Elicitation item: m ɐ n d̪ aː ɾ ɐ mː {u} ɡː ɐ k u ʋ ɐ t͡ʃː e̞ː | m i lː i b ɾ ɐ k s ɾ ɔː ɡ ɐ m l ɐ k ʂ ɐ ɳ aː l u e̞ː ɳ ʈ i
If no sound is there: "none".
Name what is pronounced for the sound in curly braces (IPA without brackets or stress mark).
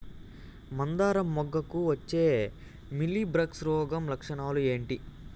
ɔ